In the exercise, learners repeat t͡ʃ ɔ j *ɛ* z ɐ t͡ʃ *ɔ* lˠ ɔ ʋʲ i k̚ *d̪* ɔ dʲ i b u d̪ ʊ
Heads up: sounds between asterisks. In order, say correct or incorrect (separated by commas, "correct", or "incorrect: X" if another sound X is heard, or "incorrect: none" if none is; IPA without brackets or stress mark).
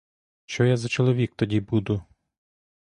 incorrect: a, correct, incorrect: t̪